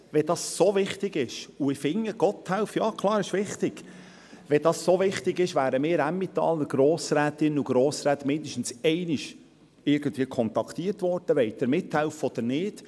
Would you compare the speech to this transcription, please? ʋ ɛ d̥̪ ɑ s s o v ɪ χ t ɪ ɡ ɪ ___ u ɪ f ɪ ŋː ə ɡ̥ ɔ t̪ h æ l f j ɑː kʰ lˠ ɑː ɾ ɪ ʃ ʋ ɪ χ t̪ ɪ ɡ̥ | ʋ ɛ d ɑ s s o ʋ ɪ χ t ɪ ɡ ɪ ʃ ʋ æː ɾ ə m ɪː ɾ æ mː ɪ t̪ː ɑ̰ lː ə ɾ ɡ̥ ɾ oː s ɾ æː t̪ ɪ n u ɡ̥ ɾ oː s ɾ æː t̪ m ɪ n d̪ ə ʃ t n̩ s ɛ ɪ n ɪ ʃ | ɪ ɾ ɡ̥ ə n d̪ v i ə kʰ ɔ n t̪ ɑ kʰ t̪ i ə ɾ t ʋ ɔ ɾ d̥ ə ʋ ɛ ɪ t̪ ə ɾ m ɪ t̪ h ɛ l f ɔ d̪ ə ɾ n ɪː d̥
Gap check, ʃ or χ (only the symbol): ʃ